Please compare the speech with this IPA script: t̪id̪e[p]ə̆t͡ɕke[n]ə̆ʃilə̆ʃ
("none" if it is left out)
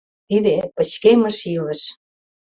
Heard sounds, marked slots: p, m

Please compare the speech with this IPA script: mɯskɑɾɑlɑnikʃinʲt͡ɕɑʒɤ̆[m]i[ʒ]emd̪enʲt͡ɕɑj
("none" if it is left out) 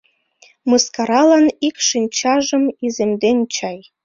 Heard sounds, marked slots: m, z

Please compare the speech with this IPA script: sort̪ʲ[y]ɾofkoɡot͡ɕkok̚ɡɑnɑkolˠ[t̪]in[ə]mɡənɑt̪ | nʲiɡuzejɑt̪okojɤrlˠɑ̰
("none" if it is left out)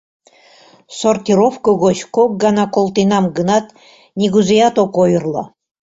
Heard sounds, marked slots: i, t̪, ɑ

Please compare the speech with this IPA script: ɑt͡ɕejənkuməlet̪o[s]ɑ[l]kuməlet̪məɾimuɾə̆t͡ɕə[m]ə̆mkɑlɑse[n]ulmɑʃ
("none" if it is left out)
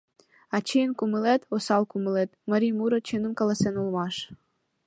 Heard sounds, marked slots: s, l, n, n

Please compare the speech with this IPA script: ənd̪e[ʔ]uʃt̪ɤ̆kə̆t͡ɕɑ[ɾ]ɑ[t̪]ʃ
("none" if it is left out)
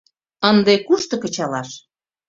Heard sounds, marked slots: k, l, none

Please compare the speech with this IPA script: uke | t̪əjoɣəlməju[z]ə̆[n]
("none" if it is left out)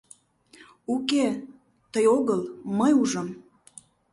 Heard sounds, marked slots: ʒ, m

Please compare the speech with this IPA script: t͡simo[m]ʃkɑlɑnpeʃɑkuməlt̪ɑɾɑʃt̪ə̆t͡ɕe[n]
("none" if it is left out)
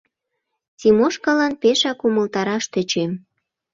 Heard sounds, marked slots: none, m

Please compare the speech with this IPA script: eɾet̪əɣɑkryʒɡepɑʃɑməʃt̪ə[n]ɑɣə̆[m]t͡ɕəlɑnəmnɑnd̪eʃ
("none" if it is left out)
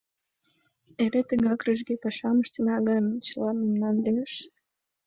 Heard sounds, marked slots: n, n

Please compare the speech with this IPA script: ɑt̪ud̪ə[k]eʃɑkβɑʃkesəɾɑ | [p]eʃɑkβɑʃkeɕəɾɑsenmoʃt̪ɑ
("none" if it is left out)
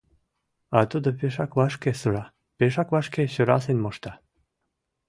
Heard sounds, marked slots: p, p

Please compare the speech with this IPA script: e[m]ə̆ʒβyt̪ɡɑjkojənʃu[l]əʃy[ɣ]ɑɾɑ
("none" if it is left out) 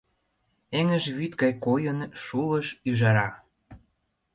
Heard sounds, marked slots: ŋ, l, ʒ

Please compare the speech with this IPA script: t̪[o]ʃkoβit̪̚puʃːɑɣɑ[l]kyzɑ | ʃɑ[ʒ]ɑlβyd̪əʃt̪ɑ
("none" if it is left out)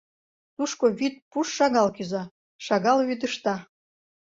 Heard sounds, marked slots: u, l, ɣ

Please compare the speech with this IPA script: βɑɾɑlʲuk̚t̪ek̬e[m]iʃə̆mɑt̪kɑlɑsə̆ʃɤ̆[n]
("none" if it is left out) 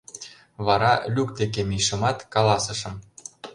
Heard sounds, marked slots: m, m

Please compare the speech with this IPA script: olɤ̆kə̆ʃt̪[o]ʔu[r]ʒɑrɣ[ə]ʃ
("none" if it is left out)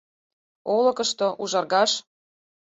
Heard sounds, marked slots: o, none, ɑ

